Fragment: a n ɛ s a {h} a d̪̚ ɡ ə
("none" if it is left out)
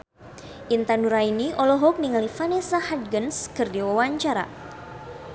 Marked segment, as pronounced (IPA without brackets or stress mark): h